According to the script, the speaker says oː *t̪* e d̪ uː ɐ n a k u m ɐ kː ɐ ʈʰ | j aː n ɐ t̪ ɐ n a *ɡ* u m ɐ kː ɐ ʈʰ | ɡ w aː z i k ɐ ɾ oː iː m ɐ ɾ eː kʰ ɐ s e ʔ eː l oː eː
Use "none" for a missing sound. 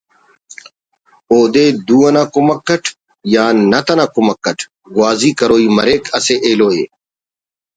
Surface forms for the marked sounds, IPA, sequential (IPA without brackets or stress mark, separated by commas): d̪, k